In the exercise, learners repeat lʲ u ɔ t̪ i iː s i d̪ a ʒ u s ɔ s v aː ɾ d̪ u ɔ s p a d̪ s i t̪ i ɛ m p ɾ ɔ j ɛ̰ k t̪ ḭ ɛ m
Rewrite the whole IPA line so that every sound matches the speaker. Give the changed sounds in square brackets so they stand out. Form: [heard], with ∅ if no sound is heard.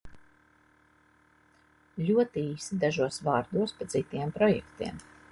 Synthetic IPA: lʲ u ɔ t̪ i iː s i d̪ a ʒ u [∅] ɔ s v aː ɾ d̪ u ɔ s p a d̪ [z] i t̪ i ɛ m p ɾ ɔ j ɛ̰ k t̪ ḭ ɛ m